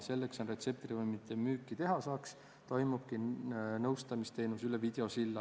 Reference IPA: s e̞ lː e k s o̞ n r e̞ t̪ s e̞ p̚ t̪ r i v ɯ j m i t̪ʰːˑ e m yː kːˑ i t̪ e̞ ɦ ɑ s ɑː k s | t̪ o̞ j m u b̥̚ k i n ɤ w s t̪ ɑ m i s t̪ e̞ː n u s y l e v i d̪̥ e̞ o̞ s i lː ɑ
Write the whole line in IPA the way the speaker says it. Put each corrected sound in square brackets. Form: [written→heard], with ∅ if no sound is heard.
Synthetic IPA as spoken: s e̞ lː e k s o̞ n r e̞ t̪ s e̞ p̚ t̪ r i v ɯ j m i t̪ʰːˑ e m yː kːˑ i t̪ e̞ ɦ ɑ s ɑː k s | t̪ o̞ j m u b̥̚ k i n ɤ w s t̪ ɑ m i s t̪ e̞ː n u s y l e v i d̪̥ e̞ o̞ s i lː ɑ